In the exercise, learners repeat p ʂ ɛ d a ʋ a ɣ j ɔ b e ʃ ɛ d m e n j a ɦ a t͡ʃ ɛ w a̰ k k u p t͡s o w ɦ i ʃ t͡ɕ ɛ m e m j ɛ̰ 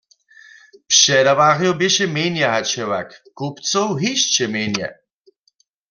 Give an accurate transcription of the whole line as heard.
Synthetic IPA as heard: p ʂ ɛ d a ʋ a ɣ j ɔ b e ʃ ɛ m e n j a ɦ a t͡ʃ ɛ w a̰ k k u p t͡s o w ɦ i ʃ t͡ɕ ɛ m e n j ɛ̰